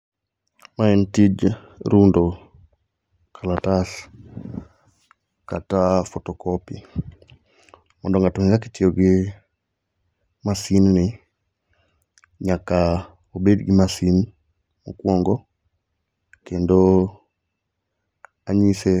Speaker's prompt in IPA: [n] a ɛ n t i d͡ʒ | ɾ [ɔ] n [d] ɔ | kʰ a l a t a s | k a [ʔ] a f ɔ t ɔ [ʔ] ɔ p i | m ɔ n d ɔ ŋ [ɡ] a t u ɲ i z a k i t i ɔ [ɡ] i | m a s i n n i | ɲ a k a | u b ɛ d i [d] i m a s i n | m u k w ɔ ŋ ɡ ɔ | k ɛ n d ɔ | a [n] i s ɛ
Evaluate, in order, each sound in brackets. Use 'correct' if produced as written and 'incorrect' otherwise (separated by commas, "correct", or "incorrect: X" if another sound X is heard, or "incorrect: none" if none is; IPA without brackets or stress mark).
incorrect: m, incorrect: u, correct, incorrect: t, incorrect: k, correct, correct, incorrect: ɡ, incorrect: ɲ